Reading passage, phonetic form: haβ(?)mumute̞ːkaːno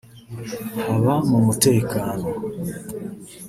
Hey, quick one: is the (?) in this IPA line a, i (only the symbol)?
a